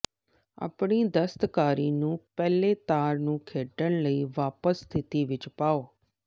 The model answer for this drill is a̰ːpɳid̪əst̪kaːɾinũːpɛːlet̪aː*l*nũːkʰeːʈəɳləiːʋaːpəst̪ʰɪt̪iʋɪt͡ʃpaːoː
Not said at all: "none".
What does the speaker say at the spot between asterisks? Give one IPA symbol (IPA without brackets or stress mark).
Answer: ɾ